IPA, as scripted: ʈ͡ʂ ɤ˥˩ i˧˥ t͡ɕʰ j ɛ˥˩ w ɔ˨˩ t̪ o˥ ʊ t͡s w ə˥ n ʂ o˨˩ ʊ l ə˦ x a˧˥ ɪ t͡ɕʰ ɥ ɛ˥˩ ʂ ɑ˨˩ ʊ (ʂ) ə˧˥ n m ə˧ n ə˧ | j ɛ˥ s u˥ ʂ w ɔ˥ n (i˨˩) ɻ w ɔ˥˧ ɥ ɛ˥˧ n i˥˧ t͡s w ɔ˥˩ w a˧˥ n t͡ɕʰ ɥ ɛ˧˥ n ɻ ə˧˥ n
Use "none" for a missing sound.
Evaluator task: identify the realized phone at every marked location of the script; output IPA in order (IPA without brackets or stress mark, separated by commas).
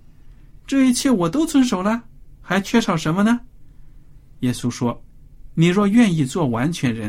ʂ, i˨˩